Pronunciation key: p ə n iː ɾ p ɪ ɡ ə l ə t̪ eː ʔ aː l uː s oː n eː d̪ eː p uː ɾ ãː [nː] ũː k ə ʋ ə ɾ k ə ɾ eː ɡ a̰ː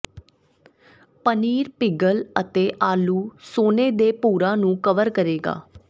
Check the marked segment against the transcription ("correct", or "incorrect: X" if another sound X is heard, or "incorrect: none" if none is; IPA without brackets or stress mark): incorrect: n